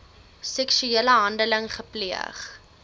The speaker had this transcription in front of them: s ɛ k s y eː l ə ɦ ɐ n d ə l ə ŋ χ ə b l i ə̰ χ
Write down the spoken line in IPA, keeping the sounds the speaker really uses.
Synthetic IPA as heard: s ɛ k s y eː l ə ɦ ɐ n d ə l ə ŋ χ ə p l i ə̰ χ